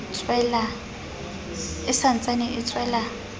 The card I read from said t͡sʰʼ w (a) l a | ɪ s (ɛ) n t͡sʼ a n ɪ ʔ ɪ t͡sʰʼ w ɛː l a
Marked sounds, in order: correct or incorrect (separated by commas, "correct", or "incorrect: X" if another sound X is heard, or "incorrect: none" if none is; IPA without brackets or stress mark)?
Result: incorrect: ɛ, incorrect: a